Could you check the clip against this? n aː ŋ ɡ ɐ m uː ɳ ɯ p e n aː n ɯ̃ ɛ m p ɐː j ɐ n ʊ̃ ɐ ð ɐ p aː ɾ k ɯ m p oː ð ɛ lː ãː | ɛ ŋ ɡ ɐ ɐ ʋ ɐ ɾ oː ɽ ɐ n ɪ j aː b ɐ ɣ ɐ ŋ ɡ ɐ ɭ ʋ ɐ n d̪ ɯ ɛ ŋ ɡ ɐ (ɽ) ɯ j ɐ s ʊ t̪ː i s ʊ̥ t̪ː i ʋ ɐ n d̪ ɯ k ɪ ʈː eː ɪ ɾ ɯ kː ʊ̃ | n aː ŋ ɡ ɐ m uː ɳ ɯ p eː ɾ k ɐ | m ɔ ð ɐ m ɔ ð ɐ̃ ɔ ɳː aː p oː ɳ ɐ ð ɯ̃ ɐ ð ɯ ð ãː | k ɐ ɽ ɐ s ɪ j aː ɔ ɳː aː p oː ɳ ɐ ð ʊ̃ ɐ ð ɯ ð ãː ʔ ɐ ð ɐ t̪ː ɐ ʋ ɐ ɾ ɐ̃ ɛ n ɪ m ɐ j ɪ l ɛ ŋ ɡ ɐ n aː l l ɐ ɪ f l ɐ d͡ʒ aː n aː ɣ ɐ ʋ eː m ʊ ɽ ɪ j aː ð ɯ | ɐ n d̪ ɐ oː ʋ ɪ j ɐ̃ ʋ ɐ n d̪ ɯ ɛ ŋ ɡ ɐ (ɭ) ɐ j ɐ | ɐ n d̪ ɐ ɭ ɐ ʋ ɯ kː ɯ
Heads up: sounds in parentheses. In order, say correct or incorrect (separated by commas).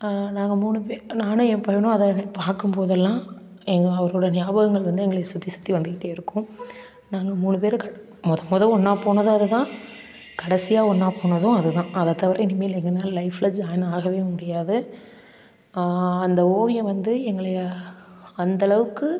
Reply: incorrect, correct